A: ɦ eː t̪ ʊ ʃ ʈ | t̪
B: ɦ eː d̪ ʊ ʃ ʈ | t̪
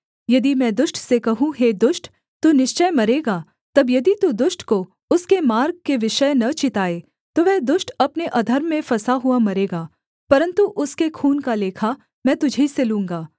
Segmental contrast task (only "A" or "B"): B